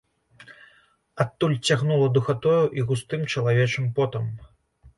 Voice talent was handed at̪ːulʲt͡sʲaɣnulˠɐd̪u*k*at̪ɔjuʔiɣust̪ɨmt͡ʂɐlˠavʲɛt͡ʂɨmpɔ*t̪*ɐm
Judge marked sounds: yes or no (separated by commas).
no, yes